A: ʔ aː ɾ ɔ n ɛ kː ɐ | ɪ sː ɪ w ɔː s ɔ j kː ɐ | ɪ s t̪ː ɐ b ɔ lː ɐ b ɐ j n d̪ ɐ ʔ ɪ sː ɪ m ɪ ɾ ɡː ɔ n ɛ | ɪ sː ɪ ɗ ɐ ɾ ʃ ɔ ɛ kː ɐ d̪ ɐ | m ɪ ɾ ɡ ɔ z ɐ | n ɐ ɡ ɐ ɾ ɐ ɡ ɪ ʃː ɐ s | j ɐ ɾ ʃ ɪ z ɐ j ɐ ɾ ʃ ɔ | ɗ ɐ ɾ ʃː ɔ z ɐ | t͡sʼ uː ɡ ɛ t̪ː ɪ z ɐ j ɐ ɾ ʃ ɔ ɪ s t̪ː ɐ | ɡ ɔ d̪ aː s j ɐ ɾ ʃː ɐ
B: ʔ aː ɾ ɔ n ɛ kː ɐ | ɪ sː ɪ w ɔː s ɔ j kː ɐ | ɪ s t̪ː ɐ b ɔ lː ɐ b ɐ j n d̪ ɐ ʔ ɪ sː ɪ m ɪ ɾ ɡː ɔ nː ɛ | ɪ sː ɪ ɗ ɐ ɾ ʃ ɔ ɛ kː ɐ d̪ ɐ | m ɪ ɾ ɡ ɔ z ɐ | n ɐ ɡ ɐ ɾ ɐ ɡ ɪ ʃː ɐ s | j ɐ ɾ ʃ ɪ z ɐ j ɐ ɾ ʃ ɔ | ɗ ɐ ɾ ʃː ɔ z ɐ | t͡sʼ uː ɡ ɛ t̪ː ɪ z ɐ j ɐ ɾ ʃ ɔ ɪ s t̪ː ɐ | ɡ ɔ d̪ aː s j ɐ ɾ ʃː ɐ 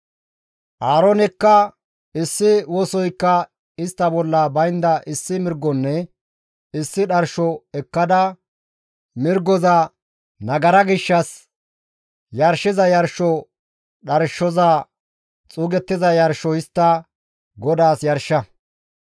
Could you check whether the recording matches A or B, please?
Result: B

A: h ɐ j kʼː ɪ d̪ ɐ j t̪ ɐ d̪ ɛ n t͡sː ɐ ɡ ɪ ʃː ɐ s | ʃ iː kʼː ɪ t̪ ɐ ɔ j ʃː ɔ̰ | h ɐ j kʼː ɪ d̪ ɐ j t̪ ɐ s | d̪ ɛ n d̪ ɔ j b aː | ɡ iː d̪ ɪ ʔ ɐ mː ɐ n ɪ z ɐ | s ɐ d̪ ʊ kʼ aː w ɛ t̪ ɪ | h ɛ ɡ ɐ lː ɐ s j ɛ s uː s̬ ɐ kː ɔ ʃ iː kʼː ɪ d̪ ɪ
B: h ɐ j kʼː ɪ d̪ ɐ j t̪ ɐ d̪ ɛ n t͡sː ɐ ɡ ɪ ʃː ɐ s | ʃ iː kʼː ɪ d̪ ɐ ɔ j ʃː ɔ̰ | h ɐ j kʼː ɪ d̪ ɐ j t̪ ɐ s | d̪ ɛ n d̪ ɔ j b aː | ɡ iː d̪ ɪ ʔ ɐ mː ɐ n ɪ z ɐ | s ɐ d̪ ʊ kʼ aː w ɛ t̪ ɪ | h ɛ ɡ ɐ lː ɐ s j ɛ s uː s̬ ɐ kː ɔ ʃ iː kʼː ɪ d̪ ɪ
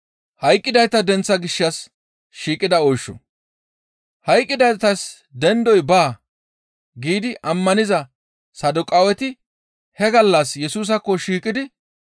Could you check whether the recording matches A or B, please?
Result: B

